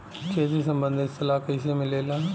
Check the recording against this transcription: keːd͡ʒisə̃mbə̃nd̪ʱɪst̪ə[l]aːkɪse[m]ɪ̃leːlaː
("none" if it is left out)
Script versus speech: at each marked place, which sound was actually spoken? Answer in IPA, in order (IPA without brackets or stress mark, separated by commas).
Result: l, m